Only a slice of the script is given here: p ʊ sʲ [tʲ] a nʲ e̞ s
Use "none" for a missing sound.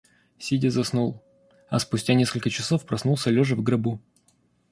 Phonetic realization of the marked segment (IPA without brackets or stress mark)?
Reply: tʲ